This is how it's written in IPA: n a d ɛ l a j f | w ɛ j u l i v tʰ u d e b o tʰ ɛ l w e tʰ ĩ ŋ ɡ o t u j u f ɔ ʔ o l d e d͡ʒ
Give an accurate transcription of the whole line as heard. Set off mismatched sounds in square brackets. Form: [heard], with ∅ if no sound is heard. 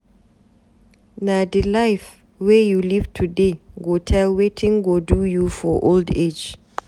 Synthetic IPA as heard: n a d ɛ l a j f | w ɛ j u l i v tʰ u d e [ɡ] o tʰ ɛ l w e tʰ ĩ ŋ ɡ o [d] u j u f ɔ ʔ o l d e d͡ʒ